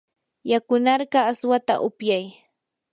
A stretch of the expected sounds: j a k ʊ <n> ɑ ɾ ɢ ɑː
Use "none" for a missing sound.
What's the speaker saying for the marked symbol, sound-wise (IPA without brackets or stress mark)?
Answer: n